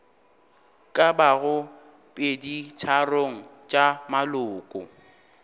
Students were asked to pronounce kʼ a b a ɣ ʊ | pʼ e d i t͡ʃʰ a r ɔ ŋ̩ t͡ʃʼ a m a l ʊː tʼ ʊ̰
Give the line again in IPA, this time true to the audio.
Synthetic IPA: kʼ a b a ɣ ʊ | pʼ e d i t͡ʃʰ a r o ŋ̩ t͡ʃʼ a m a l ʊː kʼ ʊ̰